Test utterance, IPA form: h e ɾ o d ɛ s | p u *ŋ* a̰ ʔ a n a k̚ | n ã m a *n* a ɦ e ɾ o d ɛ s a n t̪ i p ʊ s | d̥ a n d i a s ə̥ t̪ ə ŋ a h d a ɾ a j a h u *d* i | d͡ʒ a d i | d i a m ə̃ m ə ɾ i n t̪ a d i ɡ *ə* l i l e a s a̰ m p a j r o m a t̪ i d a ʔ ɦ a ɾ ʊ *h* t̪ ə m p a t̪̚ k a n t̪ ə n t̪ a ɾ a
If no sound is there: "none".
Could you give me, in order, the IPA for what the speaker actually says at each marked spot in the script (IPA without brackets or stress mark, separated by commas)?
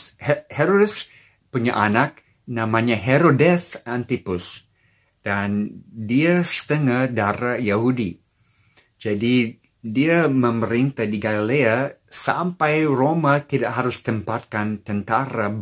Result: ɲ, ɲ, d, a, s